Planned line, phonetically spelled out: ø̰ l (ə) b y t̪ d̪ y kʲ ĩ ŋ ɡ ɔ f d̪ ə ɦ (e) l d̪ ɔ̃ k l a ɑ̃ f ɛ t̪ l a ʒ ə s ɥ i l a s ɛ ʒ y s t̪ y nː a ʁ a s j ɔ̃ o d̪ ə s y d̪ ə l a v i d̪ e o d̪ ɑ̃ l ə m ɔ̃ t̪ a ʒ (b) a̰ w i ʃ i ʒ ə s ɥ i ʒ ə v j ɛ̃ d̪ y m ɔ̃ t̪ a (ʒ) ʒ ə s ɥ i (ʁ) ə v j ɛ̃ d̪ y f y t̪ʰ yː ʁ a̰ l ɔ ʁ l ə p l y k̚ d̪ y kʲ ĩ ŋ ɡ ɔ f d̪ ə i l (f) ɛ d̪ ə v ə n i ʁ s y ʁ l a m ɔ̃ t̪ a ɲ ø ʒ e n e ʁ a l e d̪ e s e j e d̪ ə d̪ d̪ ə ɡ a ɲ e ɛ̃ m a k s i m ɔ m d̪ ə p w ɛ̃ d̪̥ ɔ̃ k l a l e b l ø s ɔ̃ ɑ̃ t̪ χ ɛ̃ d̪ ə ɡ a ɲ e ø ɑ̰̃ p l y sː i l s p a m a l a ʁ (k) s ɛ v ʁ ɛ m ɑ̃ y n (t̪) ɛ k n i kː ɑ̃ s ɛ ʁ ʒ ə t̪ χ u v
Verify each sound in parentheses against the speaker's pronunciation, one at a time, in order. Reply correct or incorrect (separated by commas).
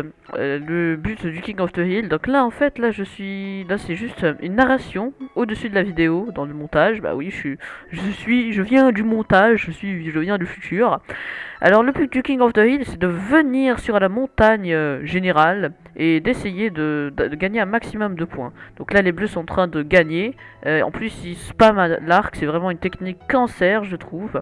correct, incorrect, correct, correct, incorrect, incorrect, correct, correct